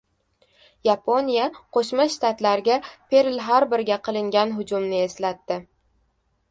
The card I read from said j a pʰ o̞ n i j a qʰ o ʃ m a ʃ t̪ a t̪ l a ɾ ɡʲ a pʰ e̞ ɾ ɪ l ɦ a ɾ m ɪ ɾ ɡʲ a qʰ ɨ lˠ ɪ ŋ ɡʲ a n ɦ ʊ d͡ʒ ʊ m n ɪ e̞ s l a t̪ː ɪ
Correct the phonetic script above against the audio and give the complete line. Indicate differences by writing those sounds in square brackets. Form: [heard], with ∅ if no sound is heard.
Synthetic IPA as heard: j a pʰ o̞ n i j a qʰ o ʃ m a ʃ t̪ a t̪ l a ɾ ɡʲ a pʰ e̞ ɾ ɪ l ɦ a ɾ [b] ɪ ɾ ɡʲ a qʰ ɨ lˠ ɪ ŋ ɡʲ a n ɦ ʊ d͡ʒ ʊ m n ɪ e̞ s l a t̪ː ɪ